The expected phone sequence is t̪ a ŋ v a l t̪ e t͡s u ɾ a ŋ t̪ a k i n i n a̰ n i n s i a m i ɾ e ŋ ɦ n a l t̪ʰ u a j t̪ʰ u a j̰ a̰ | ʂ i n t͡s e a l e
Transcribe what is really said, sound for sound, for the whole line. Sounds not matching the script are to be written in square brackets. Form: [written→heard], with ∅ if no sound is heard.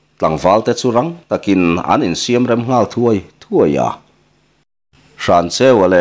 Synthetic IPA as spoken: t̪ a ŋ v a l t̪ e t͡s u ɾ a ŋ t̪ a k i n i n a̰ n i n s i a m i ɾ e [ŋ→m] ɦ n a l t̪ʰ u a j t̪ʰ u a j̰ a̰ | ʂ [i→a] n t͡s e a l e